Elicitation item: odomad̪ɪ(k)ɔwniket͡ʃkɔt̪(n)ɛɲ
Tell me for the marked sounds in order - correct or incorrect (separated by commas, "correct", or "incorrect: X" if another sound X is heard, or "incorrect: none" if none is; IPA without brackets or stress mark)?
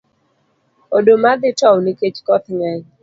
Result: incorrect: t, incorrect: ŋ